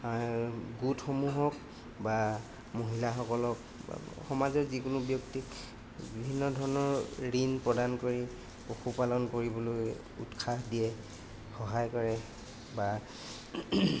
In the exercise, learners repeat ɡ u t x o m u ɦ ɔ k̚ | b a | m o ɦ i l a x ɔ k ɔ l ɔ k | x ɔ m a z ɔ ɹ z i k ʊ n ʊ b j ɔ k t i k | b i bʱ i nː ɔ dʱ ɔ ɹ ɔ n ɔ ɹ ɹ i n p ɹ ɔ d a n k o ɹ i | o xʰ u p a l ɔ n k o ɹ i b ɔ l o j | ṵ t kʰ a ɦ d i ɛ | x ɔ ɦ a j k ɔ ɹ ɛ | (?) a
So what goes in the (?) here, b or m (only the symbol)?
b